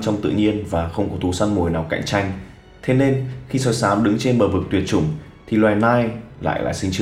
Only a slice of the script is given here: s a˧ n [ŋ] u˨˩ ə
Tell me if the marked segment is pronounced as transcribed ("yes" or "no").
no